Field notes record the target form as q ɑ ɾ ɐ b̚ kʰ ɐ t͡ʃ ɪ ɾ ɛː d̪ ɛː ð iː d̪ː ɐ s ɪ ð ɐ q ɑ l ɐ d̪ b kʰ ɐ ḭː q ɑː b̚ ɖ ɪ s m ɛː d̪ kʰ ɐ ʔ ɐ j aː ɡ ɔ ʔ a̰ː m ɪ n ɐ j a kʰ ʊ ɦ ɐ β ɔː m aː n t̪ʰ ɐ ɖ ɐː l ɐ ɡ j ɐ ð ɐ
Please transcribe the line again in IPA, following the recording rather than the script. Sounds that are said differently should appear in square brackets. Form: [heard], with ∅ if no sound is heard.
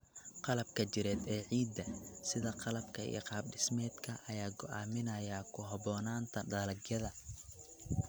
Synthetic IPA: q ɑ [l] ɐ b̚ kʰ ɐ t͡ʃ ɪ ɾ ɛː d̪ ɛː [ʕ] iː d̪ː ɐ s ɪ ð ɐ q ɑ l ɐ [∅] b kʰ ɐ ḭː q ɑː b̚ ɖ ɪ s m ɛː d̪ kʰ ɐ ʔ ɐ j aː ɡ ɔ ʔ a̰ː m ɪ n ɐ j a kʰ ʊ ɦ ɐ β ɔː [n] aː n t̪ʰ ɐ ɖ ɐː l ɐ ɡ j ɐ ð ɐ